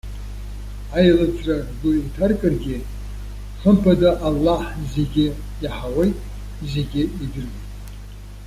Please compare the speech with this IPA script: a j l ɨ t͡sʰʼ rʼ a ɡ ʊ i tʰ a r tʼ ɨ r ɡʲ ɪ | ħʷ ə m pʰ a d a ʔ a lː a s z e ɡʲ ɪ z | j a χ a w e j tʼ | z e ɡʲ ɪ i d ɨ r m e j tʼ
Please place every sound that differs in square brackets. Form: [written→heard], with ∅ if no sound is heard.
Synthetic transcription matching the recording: a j l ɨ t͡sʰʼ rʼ a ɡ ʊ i tʰ a r [tʼ→kʼ] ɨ r ɡʲ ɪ | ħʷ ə m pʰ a d a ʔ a lː a [s→ħ] z e ɡʲ ɪ [z→∅] | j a [χ→ħ] a w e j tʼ | z e ɡʲ ɪ i d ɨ r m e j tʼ